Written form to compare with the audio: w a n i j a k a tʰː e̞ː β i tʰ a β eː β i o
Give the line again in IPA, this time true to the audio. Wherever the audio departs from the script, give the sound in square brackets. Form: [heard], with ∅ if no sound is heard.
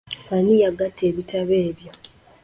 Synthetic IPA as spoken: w a n i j a [ɡ] a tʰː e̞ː β i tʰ a β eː β [j] o